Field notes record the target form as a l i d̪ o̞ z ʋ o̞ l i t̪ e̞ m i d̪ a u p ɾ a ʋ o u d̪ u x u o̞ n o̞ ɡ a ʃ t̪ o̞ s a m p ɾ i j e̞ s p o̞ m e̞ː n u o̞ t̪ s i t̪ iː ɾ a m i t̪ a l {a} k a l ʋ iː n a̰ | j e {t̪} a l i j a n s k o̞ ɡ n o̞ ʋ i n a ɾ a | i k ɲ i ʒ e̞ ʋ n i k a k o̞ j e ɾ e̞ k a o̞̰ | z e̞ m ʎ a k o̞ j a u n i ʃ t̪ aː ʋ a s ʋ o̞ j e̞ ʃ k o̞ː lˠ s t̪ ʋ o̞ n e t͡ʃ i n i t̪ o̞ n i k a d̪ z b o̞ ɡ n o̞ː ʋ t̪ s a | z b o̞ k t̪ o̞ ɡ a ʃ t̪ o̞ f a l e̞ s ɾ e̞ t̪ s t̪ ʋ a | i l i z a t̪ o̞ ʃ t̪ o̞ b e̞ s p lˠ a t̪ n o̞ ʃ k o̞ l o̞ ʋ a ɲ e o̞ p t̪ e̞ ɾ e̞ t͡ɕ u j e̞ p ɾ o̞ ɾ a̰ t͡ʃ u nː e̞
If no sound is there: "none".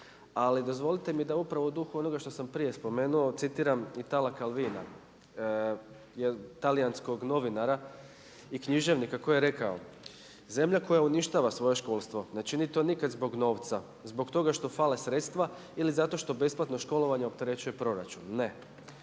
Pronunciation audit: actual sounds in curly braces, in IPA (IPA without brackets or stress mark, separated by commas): a, t̪